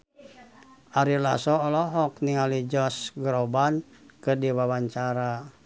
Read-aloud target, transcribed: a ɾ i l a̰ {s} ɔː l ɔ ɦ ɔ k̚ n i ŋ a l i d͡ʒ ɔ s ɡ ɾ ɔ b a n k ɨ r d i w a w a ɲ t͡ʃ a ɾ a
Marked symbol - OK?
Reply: yes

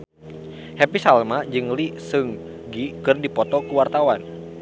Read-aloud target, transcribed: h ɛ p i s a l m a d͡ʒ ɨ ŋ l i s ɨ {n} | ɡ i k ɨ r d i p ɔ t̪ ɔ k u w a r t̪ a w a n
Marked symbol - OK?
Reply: no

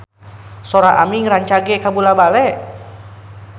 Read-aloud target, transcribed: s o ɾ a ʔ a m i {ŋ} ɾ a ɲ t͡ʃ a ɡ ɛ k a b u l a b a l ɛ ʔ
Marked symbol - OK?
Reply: yes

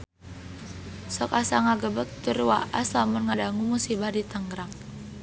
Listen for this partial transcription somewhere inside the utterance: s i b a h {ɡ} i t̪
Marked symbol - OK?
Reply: no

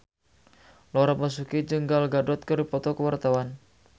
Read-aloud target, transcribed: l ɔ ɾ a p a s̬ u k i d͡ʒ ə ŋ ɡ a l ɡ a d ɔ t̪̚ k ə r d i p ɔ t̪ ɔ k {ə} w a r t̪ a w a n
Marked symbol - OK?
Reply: yes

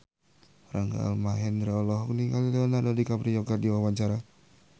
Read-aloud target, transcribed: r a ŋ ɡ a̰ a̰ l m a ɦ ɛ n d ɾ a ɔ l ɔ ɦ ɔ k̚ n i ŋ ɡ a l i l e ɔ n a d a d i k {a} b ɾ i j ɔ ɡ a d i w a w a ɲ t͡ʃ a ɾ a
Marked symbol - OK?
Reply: yes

